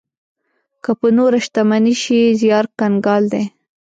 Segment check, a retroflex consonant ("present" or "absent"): absent